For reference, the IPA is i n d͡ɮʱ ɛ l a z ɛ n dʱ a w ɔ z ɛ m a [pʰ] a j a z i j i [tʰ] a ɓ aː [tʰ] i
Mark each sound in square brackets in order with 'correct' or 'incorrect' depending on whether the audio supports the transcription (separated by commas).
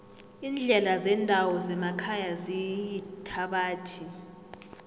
incorrect, correct, correct